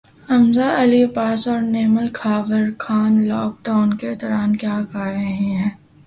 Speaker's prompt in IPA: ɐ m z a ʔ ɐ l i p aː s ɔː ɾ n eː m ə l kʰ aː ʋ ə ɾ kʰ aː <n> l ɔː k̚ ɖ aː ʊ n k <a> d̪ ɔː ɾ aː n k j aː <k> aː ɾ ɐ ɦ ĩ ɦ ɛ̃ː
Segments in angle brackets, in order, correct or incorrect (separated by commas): correct, incorrect, correct